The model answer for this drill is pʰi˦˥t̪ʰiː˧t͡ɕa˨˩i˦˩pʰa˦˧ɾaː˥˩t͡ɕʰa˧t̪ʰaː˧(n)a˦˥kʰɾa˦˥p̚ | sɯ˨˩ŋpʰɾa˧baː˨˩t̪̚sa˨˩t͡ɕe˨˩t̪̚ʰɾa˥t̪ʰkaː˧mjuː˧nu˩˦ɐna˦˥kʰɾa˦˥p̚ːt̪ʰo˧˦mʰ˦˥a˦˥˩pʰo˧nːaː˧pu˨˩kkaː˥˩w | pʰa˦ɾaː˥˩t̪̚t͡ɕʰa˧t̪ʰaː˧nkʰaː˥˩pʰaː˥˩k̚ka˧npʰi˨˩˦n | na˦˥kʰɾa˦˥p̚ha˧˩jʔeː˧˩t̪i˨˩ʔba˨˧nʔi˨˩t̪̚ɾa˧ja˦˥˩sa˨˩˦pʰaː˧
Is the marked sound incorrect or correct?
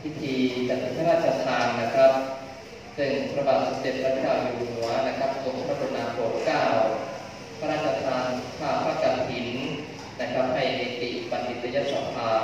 incorrect